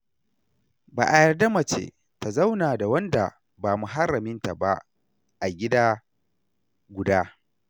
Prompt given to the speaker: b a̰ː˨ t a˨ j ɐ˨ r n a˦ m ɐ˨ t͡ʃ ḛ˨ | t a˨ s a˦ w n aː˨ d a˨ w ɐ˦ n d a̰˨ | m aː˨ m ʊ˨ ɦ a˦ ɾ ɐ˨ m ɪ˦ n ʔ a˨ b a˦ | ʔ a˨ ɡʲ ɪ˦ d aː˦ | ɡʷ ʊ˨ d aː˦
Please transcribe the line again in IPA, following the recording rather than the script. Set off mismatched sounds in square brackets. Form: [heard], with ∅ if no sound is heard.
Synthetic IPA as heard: b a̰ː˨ [ʔ] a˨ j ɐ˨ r [d] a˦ m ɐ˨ t͡ʃ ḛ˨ | t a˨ [z] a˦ w n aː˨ d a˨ w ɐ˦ n d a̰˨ | [b] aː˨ m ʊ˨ ɦ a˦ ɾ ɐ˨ m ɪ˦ n [t] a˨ b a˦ | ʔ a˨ ɡʲ ɪ˦ d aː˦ | ɡʷ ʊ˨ d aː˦